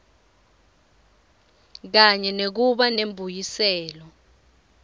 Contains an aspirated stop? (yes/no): no